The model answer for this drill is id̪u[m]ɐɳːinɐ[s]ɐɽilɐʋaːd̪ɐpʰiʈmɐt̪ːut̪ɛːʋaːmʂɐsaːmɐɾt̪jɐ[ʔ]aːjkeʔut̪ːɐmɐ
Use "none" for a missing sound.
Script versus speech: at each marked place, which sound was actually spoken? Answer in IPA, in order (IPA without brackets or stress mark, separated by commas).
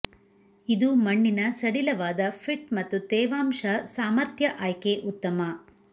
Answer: m, s, ʔ